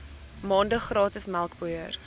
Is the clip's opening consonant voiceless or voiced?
voiced